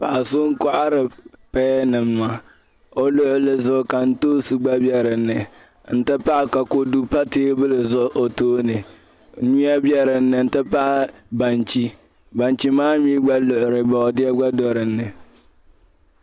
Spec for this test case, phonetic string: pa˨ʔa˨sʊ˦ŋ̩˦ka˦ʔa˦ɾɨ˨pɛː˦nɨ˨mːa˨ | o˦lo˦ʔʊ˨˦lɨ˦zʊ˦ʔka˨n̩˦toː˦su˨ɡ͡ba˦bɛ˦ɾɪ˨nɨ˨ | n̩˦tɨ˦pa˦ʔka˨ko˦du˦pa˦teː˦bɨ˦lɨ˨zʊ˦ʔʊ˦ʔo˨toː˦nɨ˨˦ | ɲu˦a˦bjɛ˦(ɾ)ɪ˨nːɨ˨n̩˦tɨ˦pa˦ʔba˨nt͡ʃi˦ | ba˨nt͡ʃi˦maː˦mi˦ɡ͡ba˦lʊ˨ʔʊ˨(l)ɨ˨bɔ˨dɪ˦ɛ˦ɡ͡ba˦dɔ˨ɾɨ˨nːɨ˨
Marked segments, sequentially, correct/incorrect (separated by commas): correct, incorrect